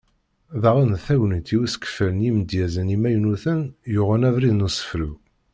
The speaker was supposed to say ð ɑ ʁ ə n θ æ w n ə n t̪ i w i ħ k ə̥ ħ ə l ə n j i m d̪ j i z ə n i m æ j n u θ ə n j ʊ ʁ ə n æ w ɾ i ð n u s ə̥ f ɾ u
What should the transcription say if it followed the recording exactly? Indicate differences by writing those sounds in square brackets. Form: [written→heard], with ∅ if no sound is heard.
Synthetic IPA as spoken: ð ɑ ʁ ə n θ æ w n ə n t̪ i w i [ħ→s] k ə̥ [ħ→f] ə l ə n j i m d̪ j [i→æ] z ə n i m æ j n u θ ə n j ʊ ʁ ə n æ [w→v] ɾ i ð n u s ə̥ f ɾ u